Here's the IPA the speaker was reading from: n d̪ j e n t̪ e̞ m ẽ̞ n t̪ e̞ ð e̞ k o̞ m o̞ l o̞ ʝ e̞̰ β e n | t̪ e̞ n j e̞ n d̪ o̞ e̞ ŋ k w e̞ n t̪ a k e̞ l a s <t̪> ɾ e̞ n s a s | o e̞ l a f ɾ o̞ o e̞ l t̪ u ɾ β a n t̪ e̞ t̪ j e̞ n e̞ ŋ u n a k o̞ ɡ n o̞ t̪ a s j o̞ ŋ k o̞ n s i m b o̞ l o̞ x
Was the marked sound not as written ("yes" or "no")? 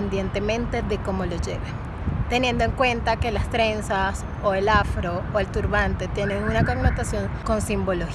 no